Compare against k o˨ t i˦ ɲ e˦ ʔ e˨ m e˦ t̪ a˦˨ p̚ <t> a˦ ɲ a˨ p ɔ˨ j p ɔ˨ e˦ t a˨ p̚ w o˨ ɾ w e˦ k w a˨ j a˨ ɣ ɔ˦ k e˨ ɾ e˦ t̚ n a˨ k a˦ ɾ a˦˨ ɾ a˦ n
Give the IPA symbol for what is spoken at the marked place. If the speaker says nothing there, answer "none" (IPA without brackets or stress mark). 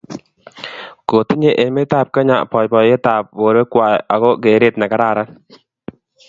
k